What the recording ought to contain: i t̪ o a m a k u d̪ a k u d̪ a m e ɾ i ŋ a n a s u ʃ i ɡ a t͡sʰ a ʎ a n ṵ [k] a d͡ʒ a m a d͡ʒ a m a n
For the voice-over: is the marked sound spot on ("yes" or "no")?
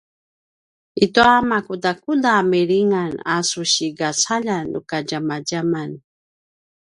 yes